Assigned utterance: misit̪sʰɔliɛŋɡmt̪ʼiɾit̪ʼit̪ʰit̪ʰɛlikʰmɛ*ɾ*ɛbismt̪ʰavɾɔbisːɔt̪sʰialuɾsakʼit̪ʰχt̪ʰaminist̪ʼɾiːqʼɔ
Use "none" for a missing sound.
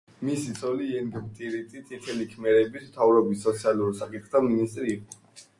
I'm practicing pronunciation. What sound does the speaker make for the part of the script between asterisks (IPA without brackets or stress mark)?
ɾ